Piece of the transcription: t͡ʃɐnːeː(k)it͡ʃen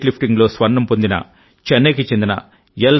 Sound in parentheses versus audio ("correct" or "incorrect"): correct